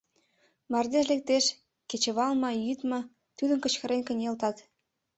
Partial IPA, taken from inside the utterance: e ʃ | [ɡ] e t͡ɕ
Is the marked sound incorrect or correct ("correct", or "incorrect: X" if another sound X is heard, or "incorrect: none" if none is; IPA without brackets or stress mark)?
incorrect: k